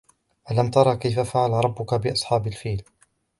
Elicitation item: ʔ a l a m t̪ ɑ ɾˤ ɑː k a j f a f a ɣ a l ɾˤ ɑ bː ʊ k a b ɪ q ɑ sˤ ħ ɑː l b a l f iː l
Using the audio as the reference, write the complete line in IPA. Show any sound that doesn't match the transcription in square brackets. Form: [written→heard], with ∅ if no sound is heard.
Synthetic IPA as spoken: ʔ a l a m t̪ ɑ ɾˤ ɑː k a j f a f a [ɣ→ʕ] a l ɾˤ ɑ bː ʊ k a b ɪ [q→ʔ] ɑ sˤ ħ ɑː [l→∅] b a l f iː l